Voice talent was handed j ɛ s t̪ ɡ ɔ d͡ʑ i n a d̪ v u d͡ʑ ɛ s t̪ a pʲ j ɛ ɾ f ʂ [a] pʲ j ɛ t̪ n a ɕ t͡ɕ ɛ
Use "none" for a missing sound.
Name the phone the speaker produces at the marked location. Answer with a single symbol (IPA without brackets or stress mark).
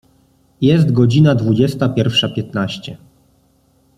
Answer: a